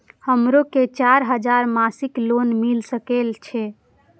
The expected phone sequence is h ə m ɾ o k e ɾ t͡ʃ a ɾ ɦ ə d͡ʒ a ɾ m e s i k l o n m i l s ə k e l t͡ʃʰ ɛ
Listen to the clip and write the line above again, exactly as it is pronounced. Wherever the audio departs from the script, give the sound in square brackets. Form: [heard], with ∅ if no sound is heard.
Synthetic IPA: h ə m ɾ o k e [∅] t͡ʃ a ɾ ɦ ə d͡ʒ a ɾ m [a] s i k l o n m i l s ə k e l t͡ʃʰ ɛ

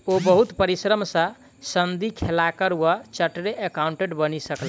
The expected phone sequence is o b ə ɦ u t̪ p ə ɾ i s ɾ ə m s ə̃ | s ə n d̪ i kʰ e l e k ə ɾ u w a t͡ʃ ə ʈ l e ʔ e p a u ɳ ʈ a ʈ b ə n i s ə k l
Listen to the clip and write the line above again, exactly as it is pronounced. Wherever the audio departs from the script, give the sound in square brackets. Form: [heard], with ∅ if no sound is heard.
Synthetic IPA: o b ə ɦ u t̪ p ə ɾ i s ɾ ə m s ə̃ | s ə n d̪ i kʰ e l [a] k ə ɾ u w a t͡ʃ ə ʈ [ɾ] e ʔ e [k] a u ɳ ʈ [e] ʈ b ə n i s ə k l

